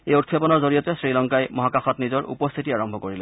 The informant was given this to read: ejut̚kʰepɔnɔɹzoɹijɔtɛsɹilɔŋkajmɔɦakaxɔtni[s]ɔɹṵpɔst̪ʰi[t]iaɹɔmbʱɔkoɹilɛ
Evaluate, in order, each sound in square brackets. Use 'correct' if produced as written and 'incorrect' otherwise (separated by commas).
incorrect, correct